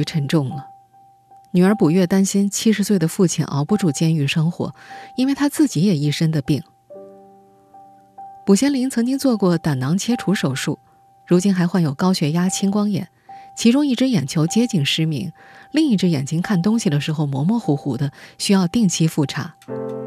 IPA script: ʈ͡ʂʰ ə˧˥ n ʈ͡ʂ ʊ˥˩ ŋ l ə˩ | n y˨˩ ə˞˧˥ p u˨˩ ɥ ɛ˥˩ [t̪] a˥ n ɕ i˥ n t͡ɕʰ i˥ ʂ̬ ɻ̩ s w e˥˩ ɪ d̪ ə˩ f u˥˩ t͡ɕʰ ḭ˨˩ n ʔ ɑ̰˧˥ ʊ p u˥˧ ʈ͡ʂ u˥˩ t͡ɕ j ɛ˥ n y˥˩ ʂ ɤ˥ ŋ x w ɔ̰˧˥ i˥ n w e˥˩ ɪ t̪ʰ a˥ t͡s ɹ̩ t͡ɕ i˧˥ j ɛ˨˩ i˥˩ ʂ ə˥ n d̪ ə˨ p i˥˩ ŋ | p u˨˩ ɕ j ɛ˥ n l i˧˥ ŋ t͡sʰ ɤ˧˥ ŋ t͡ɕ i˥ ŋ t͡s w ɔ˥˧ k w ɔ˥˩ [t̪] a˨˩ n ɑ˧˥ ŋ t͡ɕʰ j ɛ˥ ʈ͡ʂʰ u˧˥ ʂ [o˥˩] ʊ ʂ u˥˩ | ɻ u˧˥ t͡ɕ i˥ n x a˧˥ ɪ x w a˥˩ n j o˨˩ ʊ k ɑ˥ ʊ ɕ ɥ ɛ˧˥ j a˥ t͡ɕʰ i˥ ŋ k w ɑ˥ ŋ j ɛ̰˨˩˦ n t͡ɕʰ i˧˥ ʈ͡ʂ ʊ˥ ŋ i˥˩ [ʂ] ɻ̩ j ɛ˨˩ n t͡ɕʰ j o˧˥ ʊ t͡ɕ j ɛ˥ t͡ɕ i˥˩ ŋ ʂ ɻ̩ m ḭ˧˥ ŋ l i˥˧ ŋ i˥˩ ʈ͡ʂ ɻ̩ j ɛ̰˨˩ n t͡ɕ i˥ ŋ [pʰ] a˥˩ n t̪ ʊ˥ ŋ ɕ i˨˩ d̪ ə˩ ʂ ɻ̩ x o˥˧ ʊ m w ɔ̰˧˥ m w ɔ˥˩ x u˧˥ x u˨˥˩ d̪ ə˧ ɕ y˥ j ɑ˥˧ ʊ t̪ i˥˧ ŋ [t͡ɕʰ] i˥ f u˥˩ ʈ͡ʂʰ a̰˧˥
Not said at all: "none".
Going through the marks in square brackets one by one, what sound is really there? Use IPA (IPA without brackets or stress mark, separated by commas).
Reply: t̪, t̪, o˨˩, ʈ͡ʂ, kʰ, t͡ɕʰ